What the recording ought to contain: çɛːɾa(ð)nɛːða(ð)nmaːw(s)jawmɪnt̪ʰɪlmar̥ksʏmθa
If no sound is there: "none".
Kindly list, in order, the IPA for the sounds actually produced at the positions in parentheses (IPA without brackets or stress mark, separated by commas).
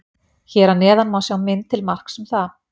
none, none, s